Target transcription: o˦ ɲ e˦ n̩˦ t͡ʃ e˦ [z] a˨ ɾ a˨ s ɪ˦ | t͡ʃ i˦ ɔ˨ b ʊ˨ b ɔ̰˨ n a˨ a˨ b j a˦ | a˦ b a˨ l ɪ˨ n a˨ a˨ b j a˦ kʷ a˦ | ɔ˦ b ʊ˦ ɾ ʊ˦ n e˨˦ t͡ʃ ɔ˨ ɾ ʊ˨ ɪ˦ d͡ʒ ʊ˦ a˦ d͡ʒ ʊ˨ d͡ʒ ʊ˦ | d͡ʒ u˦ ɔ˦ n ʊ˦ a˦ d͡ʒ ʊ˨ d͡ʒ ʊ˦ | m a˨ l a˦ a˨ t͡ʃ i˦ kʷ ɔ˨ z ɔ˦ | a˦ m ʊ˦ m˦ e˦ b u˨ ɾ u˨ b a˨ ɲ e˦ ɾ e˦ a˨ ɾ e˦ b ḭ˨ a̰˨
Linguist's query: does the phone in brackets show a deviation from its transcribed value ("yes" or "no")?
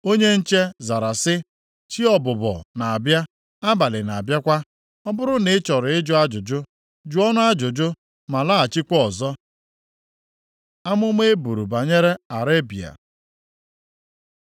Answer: no